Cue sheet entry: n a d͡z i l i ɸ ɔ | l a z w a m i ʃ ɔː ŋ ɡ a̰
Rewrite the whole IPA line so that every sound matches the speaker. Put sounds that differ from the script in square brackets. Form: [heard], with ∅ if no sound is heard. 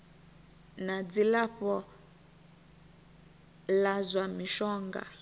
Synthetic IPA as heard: n a d͡z i l [a] ɸ ɔ | l a z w a m i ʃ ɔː ŋ ɡ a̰